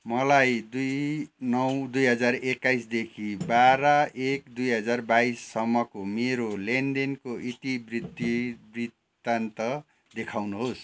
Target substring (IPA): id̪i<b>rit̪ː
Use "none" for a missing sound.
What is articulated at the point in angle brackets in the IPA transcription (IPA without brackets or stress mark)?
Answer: b